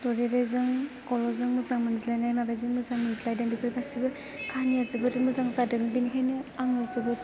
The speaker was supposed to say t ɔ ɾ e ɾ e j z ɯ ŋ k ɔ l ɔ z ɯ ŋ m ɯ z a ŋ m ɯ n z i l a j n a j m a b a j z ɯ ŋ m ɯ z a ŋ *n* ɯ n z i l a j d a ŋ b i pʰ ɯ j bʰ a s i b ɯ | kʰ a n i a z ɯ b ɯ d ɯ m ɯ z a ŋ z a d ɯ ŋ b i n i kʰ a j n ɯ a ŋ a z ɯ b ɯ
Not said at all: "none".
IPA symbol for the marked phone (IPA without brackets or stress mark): m